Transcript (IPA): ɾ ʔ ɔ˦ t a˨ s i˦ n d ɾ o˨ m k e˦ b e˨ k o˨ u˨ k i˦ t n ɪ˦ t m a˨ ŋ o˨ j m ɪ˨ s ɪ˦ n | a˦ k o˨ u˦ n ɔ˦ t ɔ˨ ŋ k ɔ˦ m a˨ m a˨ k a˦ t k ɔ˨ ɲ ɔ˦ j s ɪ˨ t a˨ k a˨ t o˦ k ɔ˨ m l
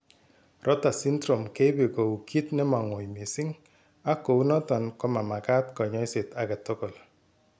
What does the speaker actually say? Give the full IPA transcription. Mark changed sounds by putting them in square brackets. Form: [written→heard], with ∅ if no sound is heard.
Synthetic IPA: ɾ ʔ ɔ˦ t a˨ s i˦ n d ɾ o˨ m k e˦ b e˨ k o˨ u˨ k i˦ t n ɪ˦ [t→∅] m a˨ ŋ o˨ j m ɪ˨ s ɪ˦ [n→ŋ] | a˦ k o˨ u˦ n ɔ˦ t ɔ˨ [ŋ→n] k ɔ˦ m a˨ m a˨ k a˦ t k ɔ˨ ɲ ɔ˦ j s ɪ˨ t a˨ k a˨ t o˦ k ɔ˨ [m→∅] l

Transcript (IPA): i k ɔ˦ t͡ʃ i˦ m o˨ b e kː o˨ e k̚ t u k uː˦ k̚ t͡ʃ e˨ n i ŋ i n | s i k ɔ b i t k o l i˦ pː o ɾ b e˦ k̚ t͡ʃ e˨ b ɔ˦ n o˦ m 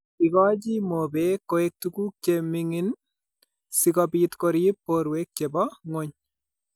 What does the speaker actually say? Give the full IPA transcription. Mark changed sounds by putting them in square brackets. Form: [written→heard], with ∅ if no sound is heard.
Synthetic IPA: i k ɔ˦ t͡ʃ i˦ m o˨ b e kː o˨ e k̚ t u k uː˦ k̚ t͡ʃ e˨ [n→m] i ŋ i n | s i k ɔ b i t k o [l→ɾ] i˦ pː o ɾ [b→w] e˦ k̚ t͡ʃ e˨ b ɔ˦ [n→ŋ] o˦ [m→ɲ]

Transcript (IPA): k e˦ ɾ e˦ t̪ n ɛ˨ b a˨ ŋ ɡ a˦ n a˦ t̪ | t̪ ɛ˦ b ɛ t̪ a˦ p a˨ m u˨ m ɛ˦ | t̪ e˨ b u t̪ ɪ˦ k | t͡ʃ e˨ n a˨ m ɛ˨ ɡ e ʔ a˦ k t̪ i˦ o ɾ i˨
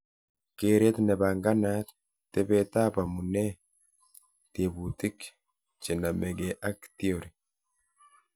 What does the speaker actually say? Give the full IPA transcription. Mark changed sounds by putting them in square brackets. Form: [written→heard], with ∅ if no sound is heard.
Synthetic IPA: k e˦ ɾ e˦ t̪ n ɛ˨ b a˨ ŋ ɡ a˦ n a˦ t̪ | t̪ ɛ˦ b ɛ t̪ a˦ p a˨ m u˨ [m→n] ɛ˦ | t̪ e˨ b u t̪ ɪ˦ k | t͡ʃ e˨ n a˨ m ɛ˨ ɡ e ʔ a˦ k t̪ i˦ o ɾ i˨

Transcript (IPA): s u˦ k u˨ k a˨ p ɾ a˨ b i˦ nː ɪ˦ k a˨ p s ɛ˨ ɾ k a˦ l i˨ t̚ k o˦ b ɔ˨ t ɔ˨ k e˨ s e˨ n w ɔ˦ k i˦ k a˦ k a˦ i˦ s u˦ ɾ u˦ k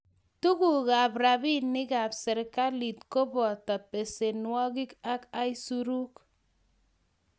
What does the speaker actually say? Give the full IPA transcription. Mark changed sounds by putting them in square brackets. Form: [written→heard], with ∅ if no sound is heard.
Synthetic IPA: [s→t] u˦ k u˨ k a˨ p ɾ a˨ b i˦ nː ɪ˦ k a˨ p s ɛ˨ ɾ k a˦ l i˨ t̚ k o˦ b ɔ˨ t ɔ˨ [k→p] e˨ s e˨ n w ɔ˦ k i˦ k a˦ k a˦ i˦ s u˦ ɾ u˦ k

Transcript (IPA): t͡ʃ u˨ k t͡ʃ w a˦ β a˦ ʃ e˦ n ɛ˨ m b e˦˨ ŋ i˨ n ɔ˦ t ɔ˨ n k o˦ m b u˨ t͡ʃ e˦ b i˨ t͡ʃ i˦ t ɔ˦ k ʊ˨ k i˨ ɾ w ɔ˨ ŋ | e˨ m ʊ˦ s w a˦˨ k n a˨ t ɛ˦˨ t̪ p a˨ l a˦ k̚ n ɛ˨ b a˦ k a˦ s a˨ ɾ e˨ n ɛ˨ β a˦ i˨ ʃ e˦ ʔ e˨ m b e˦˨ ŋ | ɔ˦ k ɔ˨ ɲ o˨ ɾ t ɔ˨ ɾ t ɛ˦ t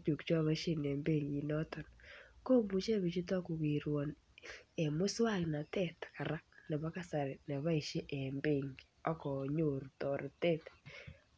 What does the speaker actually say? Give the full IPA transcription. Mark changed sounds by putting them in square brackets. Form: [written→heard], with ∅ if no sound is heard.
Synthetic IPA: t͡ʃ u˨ k t͡ʃ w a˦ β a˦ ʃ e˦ n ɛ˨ m b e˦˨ ŋ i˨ n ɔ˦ t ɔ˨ n k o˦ m b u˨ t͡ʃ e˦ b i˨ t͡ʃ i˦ t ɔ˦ k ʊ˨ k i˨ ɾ w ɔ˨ [ŋ→n] | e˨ m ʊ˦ s w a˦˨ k n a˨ t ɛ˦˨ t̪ [p→k] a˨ [l→ɾ] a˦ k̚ n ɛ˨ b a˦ k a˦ s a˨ ɾ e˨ n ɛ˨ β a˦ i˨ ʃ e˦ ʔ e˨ m b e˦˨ ŋ | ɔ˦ k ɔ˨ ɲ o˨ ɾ t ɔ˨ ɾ t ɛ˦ t

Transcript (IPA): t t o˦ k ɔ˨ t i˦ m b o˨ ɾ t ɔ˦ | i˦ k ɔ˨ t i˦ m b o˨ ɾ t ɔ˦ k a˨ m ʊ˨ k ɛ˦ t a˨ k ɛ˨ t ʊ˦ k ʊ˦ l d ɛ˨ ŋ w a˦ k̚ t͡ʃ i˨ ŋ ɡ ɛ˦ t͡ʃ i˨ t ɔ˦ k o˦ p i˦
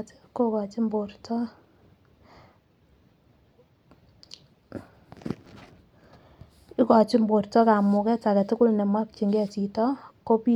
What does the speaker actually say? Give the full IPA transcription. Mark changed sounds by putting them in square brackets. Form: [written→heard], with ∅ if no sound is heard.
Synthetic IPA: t [t→k] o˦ k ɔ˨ [t→t͡ʃ] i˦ m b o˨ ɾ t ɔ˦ | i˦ k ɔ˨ [t→t͡ʃ] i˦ m b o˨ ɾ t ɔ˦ k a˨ m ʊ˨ k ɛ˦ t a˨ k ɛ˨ t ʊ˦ k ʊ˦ l [d→n] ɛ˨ [ŋ→m] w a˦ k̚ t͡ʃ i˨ ŋ ɡ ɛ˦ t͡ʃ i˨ t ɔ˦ k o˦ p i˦

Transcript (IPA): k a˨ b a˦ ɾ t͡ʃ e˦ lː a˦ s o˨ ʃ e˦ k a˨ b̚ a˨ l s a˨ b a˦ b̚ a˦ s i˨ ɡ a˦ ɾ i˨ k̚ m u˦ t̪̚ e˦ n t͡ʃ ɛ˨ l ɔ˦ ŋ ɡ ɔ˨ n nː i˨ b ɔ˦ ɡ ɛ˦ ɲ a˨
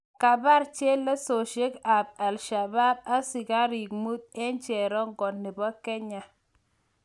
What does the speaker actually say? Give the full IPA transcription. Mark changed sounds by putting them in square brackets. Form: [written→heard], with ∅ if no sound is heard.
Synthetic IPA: k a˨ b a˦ ɾ t͡ʃ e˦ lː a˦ s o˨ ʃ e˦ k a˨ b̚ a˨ l [s→ʃ] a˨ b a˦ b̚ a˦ s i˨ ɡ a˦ ɾ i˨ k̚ m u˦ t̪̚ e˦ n t͡ʃ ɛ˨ [l→ɾ] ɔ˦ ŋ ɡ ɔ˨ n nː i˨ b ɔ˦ [ɡ→k] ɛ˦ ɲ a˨

